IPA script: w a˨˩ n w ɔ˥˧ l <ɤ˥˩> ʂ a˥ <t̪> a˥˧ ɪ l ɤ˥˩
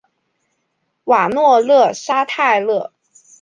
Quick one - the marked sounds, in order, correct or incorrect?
correct, incorrect

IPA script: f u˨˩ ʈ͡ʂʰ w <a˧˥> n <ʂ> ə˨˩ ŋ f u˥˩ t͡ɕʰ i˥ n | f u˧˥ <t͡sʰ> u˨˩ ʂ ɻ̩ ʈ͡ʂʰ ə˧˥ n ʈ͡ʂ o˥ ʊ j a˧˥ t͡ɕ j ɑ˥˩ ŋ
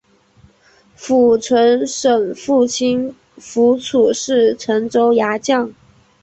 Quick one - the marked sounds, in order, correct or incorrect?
incorrect, correct, correct

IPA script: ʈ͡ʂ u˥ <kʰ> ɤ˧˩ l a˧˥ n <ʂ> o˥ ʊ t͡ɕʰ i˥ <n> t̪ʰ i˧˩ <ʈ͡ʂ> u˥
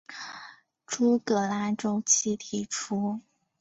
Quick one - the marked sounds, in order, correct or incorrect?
incorrect, incorrect, incorrect, incorrect

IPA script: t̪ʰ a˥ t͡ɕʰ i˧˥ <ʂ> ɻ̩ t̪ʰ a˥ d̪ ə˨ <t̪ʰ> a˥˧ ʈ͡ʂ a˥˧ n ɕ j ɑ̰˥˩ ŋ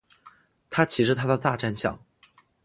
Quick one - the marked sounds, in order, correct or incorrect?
correct, incorrect

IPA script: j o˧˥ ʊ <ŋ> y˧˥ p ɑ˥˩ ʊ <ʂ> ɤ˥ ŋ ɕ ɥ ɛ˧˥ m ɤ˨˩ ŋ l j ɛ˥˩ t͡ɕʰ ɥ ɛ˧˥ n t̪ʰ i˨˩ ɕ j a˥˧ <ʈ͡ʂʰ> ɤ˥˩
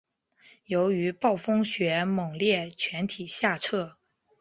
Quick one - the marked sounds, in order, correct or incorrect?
incorrect, incorrect, correct

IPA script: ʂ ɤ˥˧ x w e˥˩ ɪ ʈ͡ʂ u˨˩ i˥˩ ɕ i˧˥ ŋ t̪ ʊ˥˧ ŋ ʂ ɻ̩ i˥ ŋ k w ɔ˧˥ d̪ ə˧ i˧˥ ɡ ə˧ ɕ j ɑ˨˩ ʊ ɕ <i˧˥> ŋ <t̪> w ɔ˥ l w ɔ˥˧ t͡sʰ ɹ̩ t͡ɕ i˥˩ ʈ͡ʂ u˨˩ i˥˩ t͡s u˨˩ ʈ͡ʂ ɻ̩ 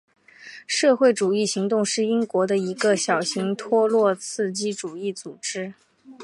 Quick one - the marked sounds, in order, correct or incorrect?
correct, incorrect

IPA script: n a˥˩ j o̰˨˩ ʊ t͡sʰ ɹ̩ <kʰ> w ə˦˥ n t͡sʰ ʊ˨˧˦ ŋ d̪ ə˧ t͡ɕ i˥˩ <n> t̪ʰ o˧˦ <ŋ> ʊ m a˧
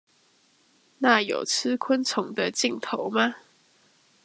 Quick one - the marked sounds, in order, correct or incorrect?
correct, incorrect, incorrect

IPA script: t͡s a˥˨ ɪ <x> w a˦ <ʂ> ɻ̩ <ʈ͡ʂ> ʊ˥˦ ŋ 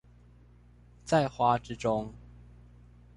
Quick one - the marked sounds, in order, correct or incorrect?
correct, incorrect, correct

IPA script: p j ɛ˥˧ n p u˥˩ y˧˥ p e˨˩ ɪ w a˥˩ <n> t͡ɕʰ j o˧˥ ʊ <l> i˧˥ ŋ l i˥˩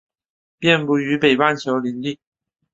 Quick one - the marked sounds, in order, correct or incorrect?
correct, correct

